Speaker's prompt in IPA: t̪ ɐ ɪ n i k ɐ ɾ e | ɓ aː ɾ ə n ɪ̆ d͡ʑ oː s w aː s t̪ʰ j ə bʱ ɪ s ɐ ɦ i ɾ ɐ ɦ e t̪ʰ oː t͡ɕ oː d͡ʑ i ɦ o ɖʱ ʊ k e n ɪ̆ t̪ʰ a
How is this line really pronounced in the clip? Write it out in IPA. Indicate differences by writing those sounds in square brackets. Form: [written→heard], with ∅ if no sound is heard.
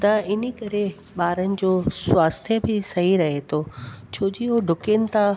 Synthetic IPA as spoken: t̪ ɐ ɪ n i k ɐ ɾ e | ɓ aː ɾ ə n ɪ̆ d͡ʑ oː s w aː s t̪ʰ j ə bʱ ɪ s ɐ ɦ i ɾ ɐ ɦ e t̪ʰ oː [t͡ɕ→t͡ɕʰ] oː d͡ʑ i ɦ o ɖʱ ʊ k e n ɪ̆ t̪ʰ a